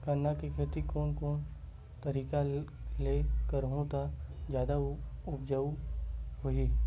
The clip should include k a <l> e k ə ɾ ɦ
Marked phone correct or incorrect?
correct